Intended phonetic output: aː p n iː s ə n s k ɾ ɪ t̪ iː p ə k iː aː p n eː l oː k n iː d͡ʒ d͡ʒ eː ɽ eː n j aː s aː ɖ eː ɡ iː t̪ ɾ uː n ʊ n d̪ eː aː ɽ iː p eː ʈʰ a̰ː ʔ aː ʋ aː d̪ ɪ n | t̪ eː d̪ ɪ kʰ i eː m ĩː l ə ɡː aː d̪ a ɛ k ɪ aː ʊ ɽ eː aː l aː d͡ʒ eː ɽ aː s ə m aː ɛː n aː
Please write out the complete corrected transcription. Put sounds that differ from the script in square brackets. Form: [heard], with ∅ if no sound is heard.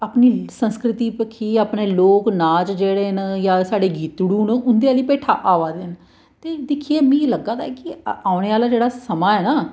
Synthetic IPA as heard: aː p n iː s ə n s k ɾ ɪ t̪ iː p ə [kʰ] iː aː p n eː l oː k n [aː] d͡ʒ d͡ʒ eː ɽ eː n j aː s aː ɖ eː ɡ iː t̪ [ɽ] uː n ʊ n d̪ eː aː [l] iː p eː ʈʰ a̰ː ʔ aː ʋ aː d̪ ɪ n | t̪ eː d̪ ɪ kʰ i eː m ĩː l ə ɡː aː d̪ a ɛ k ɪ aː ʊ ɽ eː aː l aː d͡ʒ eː ɽ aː s ə m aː ɛː n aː